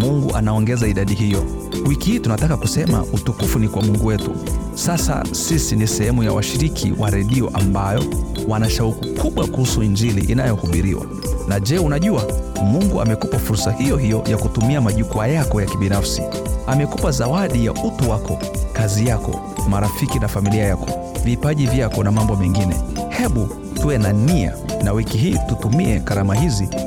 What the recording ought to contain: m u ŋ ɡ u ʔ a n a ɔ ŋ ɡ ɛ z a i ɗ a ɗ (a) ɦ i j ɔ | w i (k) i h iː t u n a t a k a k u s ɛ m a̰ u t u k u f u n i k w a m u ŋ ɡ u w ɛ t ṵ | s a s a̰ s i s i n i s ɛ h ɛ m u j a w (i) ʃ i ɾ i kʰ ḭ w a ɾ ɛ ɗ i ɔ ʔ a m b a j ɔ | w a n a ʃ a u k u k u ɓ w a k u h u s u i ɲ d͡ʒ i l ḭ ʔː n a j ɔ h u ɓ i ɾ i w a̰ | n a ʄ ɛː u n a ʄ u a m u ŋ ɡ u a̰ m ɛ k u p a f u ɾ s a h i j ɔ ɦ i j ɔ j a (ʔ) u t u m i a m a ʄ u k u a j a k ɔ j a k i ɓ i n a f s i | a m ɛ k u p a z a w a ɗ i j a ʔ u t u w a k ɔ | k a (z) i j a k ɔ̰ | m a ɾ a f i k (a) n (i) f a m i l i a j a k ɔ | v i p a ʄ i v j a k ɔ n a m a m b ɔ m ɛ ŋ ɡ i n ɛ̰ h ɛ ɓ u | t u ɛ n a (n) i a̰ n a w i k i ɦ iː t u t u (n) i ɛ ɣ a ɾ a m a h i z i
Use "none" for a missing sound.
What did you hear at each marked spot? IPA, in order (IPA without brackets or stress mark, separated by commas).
i, k, a, k, z, i, a, n, m